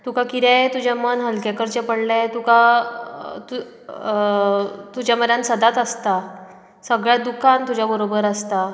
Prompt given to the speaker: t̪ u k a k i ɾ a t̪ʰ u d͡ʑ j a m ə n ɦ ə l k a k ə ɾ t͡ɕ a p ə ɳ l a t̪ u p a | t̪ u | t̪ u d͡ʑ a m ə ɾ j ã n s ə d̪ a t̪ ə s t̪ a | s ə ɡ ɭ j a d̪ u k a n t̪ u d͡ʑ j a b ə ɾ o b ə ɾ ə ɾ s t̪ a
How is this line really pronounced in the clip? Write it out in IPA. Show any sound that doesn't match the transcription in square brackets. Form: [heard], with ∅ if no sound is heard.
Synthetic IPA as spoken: t̪ u k a k i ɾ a [t̪] u d͡ʑ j a m ə n ɦ ə l k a k ə ɾ t͡ɕ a p ə ɳ l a t̪ u [k] a | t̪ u | t̪ u d͡ʑ a m ə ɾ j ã n s ə d̪ a t̪ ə s t̪ a | s ə ɡ ɭ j a d̪ u k a n t̪ u d͡ʑ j a b ə ɾ o b ə ɾ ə [∅] s t̪ a

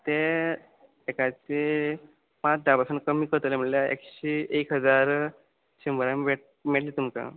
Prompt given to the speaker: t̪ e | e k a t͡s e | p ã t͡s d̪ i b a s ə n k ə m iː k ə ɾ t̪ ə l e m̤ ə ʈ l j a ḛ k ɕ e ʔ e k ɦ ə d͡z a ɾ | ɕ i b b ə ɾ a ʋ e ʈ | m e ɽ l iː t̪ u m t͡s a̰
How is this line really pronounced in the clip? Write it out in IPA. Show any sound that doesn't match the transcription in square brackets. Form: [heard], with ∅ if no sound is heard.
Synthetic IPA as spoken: t̪ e | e k a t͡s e | p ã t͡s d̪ [a] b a s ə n k ə m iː k ə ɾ t̪ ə l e m̤ ə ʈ l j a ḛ k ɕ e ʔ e k ɦ ə d͡z a ɾ | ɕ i [m] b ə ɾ a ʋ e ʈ | m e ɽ l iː t̪ u m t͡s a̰

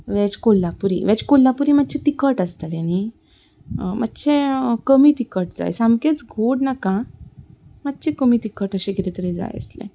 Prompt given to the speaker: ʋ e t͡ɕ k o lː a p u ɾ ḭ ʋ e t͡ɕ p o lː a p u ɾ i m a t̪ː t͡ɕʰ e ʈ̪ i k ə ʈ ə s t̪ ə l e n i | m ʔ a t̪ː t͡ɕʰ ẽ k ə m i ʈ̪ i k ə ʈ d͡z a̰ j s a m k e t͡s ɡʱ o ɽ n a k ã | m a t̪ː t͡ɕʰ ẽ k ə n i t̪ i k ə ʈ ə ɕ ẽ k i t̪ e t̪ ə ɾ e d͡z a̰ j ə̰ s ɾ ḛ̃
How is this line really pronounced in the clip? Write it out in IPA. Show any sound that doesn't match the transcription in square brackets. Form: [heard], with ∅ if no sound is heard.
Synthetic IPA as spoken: ʋ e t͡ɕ k o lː a p u ɾ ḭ ʋ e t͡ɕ [k] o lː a p u ɾ i m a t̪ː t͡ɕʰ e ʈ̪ i k ə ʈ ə s t̪ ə l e n i | m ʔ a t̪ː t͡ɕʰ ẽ k ə m i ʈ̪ i k ə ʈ d͡z a̰ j s a m k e t͡s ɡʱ o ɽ n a k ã | m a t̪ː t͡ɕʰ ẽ k ə [m] i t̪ i k ə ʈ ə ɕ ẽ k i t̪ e t̪ ə ɾ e d͡z a̰ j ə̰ s [l] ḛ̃

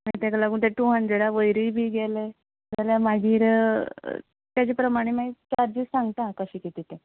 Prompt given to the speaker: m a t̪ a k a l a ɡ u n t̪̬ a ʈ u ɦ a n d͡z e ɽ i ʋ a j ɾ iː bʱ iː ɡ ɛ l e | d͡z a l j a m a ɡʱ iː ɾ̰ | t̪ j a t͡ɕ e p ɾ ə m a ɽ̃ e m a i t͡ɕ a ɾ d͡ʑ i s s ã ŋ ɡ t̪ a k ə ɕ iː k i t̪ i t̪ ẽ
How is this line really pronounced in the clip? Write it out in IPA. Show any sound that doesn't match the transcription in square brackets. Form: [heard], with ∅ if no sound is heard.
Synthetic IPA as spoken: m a t̪ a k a l a ɡ [uː] n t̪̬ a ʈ u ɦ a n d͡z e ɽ [a] ʋ [ə] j ɾ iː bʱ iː ɡ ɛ l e | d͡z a l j a m a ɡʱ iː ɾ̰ | t̪ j a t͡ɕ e p ɾ ə m a ɽ̃ e m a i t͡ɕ a ɾ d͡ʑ i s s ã ŋ ɡ t̪ a k ə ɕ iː k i t̪ i t̪ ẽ

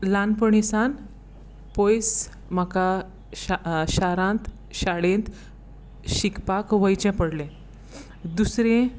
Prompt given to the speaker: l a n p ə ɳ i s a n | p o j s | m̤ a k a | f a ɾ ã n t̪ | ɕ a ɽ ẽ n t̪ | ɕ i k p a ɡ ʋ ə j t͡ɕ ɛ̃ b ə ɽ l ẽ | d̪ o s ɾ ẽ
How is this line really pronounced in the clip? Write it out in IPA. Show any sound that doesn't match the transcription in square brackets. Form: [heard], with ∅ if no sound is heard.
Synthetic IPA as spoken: l a n p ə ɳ i s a n | p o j s | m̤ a k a | [ɕ] a ɾ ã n t̪ | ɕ a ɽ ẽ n t̪ | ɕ i k p a [k] ʋ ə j t͡ɕ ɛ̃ [p] ə ɽ l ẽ | d̪ [u] s ɾ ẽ

